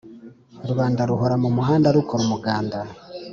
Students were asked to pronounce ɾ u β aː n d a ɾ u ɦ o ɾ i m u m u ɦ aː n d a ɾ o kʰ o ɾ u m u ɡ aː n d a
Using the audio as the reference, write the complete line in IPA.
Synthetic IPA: ɾ u β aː n d a ɾ u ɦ o ɾ a m u m u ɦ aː n d a ɾ u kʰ o ɾ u m u ɡ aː n d a